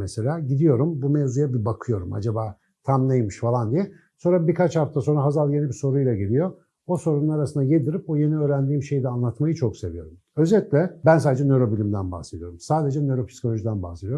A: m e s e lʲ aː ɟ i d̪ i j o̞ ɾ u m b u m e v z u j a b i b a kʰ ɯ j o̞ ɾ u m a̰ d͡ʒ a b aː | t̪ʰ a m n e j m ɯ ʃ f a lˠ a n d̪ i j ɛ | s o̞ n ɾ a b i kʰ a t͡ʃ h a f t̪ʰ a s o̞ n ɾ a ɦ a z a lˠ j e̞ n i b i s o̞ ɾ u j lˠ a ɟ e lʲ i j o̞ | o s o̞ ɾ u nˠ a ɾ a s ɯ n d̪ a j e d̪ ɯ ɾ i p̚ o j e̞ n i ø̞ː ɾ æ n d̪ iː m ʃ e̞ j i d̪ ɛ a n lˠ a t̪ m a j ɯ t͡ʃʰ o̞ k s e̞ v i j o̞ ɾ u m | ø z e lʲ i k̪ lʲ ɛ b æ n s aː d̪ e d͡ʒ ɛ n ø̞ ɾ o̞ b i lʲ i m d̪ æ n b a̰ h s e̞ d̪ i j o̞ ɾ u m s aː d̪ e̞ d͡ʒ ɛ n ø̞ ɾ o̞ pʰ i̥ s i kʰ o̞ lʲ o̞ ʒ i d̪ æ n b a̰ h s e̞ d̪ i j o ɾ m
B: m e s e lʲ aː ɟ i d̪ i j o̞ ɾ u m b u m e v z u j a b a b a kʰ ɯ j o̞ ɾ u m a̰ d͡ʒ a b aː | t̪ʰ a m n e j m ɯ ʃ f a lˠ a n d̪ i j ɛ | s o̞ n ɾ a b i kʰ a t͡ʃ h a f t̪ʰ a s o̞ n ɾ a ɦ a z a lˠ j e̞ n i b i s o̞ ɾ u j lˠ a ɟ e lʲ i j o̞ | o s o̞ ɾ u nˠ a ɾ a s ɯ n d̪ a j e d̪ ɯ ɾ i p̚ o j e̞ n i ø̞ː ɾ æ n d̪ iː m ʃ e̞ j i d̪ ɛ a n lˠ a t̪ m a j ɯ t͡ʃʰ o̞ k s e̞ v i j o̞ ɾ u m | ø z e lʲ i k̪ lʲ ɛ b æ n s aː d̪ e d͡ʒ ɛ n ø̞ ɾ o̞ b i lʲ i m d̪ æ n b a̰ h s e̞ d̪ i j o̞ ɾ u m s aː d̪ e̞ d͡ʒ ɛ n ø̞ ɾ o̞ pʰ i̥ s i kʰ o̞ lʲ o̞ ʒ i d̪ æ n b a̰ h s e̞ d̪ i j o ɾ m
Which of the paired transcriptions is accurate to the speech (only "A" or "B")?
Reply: A